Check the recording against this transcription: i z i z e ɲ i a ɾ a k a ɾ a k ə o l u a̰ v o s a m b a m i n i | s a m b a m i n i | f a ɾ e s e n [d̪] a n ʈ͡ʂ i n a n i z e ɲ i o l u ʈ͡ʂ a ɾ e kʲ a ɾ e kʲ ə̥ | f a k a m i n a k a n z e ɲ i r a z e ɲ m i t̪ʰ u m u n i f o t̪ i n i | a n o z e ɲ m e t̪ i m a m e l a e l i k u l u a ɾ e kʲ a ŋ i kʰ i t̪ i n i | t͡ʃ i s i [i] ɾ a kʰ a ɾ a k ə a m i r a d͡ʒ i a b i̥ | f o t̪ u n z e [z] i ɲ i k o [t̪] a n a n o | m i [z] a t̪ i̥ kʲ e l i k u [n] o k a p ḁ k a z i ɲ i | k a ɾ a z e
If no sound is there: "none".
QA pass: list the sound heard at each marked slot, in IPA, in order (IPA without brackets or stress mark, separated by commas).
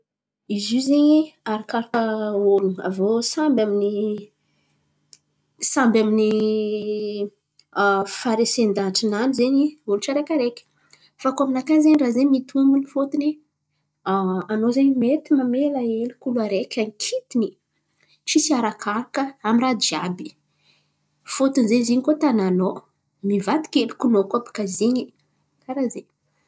d̪, a, z, t̪, v, n